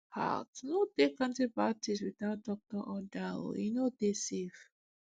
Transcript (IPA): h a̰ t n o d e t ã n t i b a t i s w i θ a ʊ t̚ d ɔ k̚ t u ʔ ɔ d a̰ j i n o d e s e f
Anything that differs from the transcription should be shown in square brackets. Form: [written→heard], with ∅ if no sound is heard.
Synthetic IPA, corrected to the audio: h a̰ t n o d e [t→k] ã n t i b a t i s w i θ a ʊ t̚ d ɔ k̚ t [u→ɔ] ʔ ɔ d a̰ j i n o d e s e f